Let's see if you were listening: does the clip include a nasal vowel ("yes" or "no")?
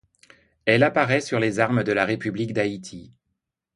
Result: no